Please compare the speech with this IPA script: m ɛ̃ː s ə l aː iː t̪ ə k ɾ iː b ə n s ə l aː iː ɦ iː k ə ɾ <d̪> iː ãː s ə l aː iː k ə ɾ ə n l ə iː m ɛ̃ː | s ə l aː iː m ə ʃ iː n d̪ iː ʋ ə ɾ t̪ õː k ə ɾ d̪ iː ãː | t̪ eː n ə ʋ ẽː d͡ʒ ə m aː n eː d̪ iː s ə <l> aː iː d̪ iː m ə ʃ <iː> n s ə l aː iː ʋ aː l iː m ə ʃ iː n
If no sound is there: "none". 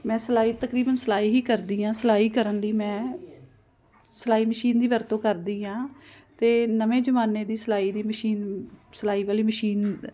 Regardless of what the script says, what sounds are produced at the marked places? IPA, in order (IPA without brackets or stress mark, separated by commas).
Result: d̪, l, iː